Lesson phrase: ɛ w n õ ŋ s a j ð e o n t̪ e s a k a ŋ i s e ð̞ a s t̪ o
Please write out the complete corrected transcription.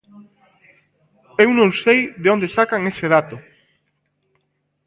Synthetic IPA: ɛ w n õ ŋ s e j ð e o n d̪ e s a k a ŋ e s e ð̞ a t̪ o